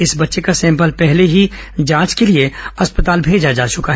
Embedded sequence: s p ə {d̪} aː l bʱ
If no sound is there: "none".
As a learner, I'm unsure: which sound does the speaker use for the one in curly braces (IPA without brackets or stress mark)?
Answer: t̪